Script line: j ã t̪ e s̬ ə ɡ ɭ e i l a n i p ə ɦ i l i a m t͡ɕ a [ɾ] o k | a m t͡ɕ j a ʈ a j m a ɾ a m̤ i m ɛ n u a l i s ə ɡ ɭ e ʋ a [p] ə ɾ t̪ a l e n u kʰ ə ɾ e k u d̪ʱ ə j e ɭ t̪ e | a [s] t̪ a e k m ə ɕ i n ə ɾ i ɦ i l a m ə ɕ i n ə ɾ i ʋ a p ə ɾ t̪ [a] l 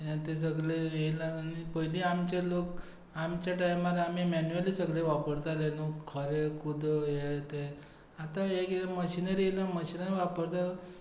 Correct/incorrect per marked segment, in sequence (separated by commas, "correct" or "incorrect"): incorrect, correct, incorrect, correct